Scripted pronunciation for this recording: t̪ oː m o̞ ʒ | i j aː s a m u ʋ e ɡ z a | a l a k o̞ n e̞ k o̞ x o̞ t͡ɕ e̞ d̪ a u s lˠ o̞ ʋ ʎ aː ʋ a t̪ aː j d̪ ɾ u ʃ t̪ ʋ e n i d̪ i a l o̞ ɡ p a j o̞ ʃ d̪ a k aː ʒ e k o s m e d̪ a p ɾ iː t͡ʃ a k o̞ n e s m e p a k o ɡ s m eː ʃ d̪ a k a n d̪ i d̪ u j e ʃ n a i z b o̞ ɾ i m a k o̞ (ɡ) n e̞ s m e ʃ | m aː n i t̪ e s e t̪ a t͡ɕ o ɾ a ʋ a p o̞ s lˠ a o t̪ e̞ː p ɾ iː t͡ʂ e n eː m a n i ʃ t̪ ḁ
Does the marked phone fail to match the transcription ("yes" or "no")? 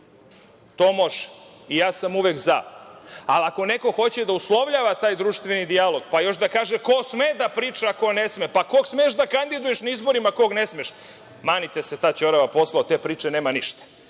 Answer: no